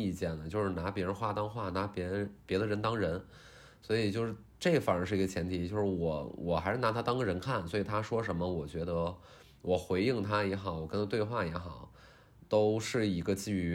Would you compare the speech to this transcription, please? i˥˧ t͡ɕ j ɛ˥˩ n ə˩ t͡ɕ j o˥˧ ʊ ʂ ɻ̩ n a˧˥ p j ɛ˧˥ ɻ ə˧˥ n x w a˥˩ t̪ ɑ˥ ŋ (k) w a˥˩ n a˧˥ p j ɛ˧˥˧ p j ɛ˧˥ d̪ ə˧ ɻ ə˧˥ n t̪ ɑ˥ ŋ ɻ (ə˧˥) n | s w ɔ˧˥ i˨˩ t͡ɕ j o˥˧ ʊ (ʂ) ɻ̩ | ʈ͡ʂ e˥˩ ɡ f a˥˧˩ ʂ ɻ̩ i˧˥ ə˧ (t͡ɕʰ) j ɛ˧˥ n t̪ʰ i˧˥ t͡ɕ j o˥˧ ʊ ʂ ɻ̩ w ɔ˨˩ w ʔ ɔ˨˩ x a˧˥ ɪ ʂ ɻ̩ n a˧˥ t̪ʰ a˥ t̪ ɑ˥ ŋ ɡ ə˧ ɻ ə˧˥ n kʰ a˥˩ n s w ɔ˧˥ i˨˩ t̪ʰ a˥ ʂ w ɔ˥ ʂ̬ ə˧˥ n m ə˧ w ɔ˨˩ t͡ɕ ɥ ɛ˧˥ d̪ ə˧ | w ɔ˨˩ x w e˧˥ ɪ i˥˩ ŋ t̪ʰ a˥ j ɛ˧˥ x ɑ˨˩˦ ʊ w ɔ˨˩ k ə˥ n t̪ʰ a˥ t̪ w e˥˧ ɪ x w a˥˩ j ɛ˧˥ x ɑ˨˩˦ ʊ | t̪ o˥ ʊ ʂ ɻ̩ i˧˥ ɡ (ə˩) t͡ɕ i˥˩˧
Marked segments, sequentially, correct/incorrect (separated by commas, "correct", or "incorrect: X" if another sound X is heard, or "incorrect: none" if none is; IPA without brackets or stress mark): incorrect: x, correct, correct, correct, incorrect: ə˧